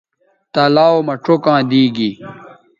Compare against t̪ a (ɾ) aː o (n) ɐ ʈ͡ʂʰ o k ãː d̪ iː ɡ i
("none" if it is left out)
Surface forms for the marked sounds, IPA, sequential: l, m

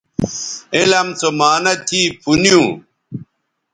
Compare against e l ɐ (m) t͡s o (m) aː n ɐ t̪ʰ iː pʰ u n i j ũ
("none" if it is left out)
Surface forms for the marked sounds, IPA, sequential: m, m

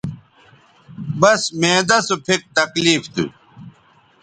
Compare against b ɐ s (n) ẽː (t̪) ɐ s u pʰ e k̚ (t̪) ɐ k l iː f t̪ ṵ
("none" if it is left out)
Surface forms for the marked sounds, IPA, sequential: m, d̪, t̪

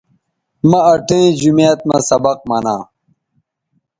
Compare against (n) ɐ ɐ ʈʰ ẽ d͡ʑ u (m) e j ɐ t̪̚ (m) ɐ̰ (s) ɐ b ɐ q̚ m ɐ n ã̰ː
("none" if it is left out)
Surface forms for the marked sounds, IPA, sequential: m, m, m, s

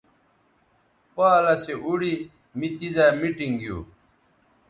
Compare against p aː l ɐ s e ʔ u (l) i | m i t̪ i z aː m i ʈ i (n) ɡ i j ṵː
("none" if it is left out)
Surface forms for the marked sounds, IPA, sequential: ɽ, ŋ

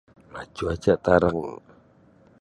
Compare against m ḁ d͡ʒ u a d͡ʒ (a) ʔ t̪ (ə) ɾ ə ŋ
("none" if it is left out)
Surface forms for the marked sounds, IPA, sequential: a, a

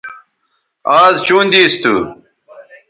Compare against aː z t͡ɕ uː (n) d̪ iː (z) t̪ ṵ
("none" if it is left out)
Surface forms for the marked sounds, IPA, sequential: n, s

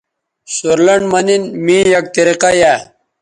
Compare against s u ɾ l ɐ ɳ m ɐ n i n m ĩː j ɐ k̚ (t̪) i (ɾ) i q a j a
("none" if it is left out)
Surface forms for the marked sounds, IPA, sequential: t̪, ɾ

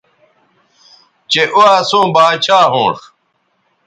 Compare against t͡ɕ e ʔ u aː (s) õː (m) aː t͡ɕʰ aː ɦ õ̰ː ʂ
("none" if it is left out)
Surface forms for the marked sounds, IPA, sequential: s, b

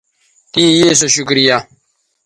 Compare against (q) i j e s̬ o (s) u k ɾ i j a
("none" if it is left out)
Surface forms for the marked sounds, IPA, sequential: t, ʃ

